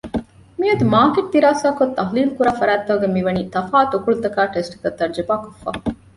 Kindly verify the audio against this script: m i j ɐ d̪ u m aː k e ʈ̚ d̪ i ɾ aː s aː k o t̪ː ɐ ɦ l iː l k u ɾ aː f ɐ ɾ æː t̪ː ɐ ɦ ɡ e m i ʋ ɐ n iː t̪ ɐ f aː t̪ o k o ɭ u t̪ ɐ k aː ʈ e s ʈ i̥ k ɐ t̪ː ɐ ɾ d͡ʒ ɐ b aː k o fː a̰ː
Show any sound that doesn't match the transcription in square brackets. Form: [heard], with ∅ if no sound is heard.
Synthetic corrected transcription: m i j ɐ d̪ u m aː k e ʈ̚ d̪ i ɾ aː s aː k o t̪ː ɐ ɦ l iː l k u ɾ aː f ɐ ɾ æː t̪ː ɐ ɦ ɡ e m i ʋ ɐ n iː t̪ ɐ f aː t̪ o k [u] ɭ u t̪ ɐ k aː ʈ e s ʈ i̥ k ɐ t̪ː ɐ ɾ d͡ʒ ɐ b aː k o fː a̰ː